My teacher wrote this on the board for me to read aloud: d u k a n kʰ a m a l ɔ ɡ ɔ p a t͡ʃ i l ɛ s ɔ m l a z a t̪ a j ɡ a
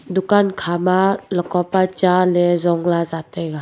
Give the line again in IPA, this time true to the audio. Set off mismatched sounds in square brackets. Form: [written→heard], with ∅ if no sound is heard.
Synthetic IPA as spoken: d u k a n kʰ a m a l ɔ [ɡ→k] ɔ p a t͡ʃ [i→a] l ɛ [s→z] ɔ [m→ŋ] l a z a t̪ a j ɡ a